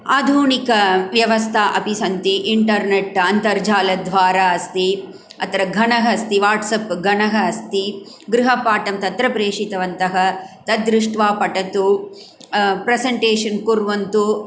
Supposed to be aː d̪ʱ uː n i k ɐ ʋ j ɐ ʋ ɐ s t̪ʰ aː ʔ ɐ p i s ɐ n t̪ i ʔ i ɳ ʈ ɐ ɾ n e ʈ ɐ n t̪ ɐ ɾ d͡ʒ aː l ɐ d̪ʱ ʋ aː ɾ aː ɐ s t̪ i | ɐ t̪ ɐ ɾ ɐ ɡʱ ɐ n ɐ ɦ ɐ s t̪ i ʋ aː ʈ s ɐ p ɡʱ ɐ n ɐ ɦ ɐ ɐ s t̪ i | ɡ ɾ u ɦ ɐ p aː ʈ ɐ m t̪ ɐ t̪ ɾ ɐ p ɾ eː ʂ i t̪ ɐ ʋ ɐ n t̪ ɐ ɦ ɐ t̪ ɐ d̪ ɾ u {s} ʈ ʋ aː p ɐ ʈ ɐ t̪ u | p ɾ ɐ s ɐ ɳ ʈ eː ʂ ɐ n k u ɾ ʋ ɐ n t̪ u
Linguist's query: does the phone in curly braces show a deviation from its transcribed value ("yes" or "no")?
yes